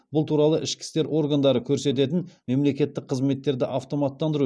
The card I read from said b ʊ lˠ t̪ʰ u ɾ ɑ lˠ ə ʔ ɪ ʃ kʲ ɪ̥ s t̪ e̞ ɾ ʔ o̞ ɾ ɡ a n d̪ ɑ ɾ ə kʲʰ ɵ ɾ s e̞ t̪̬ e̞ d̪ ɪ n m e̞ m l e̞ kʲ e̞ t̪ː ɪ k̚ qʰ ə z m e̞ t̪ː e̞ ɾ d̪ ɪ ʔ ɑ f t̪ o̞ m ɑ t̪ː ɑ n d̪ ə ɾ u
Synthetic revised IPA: b ʊ lˠ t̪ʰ u ɾ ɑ lˠ ə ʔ ɪ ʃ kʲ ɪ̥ s t̪ e̞ ɾ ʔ o̞ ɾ ɡ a n d̪ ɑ ɾ ə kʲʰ ɵ ɾ s e̞ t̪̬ e̞ t̪ ɪ n m e̞ m l e̞ kʲ e̞ t̪ː ɪ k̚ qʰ ə z m e̞ t̪ː e̞ ɾ d̪ ɪ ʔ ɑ f t̪ o̞ m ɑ t̪ː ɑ n d̪ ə ɾ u